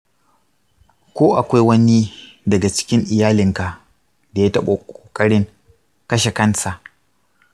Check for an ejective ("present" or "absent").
present